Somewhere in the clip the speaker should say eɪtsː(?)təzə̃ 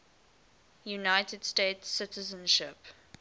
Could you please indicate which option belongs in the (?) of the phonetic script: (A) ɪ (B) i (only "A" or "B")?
A